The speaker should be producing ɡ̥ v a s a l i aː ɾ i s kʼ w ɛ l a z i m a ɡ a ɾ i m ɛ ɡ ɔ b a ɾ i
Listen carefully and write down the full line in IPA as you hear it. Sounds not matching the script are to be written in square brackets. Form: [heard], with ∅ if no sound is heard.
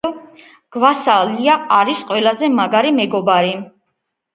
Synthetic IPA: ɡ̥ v a s a l i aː ɾ i s [qʼ] w ɛ l a z [ɛ] m a ɡ a ɾ i m ɛ ɡ ɔ b a ɾ i